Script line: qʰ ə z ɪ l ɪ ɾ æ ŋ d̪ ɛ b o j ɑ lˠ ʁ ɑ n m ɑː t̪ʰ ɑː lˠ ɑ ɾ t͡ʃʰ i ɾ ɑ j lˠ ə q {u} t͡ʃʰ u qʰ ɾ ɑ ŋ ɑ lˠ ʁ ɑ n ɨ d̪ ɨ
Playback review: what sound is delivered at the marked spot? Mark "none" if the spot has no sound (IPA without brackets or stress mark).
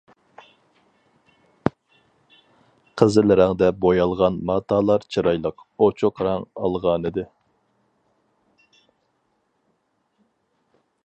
o